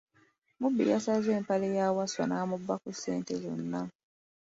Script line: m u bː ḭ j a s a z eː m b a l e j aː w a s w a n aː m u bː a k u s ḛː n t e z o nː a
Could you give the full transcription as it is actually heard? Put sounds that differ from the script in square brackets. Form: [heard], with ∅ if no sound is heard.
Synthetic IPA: m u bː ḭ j a s a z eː m [p] a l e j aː w a s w a n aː m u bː a k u s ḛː n t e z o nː a